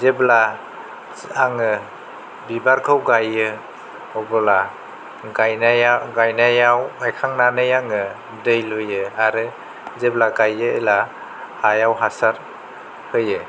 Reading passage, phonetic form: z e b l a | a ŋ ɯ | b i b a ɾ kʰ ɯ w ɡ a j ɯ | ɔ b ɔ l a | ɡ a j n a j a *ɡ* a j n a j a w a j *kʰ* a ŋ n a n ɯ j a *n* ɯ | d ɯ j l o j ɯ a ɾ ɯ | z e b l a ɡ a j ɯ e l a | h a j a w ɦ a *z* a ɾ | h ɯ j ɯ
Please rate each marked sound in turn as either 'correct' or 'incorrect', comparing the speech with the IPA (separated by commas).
correct, correct, incorrect, incorrect